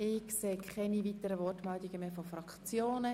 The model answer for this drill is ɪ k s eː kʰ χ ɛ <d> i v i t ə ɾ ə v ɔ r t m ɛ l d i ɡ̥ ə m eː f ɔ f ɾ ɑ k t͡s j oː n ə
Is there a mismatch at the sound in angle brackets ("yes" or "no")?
yes